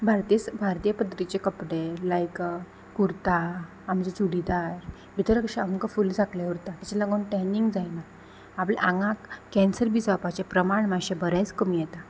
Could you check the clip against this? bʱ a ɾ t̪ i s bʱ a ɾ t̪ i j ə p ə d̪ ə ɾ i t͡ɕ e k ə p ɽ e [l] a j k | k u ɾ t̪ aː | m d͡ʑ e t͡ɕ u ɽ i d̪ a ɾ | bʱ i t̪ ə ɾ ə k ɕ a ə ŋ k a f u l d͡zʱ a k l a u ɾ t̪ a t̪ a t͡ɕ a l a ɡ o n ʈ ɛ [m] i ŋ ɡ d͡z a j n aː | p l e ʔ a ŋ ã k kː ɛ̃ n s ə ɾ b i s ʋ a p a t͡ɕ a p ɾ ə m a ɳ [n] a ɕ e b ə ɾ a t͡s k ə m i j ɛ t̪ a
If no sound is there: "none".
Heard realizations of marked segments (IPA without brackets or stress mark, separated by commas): l, n, m